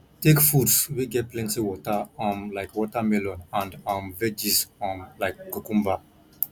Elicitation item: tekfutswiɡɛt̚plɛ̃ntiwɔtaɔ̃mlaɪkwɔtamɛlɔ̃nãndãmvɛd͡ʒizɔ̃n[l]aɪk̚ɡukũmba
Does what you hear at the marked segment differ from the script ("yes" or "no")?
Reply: no